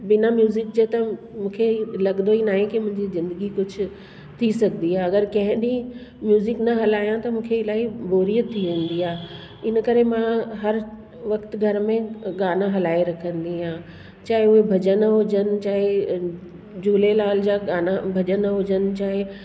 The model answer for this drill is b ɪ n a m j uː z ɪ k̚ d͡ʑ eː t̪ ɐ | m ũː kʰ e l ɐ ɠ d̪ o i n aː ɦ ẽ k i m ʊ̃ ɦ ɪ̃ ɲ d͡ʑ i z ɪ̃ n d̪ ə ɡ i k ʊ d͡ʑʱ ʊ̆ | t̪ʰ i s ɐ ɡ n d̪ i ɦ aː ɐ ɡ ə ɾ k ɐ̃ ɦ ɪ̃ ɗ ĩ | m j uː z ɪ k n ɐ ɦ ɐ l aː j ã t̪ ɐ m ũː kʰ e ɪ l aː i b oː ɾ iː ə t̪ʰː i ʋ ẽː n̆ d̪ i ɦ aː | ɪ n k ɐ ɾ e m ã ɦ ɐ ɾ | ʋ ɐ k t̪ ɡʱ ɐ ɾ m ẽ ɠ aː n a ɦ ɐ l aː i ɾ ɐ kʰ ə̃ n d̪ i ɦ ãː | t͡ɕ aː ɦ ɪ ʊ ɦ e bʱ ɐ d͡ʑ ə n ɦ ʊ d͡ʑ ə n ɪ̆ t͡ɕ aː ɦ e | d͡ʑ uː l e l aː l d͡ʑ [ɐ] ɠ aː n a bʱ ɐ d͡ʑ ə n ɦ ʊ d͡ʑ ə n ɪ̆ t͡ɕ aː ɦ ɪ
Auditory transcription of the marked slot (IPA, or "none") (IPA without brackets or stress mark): a